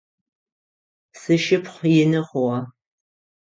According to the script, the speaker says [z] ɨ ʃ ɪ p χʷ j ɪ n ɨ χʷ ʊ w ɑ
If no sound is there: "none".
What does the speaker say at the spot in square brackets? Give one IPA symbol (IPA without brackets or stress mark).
s